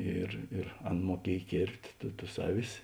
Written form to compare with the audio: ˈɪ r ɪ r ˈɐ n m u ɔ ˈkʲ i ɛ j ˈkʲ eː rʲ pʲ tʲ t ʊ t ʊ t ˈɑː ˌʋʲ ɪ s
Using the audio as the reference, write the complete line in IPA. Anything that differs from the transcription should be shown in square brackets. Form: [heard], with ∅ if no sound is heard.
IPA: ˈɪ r ɪ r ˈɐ n m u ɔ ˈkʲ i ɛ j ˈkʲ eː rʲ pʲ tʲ t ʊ t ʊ [s] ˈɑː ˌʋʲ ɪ s